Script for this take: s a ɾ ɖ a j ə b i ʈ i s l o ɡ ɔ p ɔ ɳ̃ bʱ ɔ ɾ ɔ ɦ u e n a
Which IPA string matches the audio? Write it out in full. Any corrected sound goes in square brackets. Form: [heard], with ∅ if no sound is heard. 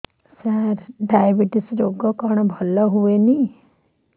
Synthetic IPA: s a ɾ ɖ a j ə b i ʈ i s [ɾ] o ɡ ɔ [k] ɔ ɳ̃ bʱ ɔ [l] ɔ ɦ u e n [i]